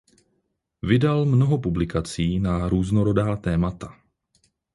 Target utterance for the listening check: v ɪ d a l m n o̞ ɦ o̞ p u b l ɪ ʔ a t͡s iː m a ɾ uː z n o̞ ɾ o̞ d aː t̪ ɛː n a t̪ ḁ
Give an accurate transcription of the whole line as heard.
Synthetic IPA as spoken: v ɪ d a l m n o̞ ɦ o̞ p u b l ɪ k a t͡s iː n a ɾ uː z n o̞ ɾ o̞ d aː t̪ ɛː m a t̪ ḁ